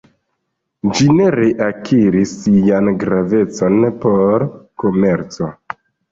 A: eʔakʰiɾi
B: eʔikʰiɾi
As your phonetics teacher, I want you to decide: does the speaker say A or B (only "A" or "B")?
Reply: A